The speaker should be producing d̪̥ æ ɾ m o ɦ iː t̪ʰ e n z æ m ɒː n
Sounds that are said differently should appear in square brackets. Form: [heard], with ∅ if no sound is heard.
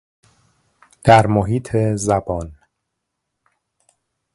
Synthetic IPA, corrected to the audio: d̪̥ æ ɾ m o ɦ iː t̪ʰ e [∅] z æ [b] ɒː n